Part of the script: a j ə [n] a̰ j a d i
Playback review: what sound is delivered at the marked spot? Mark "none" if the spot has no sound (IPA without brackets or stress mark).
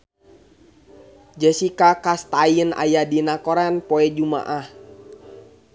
n